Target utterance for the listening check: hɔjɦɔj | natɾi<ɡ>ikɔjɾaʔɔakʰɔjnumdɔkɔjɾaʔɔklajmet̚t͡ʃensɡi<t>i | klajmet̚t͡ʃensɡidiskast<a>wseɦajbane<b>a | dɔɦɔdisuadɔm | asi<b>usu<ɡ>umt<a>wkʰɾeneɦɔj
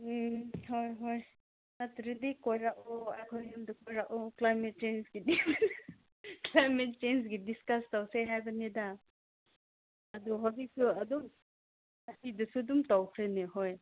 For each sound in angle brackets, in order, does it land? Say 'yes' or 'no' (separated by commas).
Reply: no, no, yes, no, no, no, yes